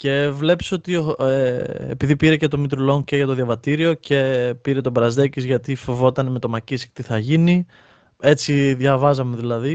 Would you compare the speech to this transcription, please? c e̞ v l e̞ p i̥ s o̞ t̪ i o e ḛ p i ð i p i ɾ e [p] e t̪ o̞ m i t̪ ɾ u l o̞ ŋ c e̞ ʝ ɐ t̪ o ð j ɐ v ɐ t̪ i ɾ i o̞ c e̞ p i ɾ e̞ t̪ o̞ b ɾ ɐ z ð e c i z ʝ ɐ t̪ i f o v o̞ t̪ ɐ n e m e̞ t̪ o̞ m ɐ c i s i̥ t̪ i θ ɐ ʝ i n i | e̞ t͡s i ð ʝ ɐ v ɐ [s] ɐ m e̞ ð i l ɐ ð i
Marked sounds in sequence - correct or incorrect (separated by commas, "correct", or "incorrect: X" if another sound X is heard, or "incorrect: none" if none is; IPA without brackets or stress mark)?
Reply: incorrect: c, incorrect: z